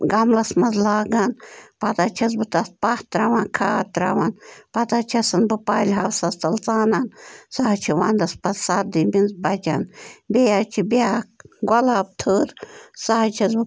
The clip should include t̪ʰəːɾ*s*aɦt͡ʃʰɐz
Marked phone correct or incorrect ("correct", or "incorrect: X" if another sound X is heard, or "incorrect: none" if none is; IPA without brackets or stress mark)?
correct